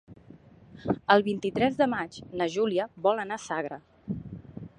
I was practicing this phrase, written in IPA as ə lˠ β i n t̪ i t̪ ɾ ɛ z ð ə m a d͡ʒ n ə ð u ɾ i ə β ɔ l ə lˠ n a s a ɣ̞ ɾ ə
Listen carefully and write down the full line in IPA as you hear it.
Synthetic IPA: ə lˠ β i n t̪ i t̪ ɾ ɛ z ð ə m a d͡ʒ n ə ʒ u l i ə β ɔ l ə n a s a ɣ̞ ɾ ə